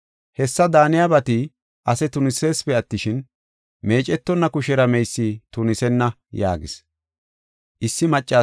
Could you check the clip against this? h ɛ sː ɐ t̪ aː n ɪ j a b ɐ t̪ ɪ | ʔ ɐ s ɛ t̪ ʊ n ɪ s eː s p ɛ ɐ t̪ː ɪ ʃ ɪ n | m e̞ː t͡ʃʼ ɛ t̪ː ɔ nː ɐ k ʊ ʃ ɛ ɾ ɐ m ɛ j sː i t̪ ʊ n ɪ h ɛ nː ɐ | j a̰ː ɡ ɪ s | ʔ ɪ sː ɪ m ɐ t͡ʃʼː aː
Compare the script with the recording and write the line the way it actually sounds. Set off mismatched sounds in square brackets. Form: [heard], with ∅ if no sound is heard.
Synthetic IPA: h ɛ sː ɐ [d̪] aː n ɪ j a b ɐ t̪ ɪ | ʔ ɐ s ɛ t̪ ʊ n ɪ s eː s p ɛ ɐ t̪ː ɪ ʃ ɪ n | m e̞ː t͡ʃʼ ɛ t̪ː ɔ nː ɐ k ʊ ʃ ɛ ɾ ɐ m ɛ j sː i t̪ ʊ n ɪ [s] ɛ nː ɐ | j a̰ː ɡ ɪ s | ʔ ɪ sː ɪ m ɐ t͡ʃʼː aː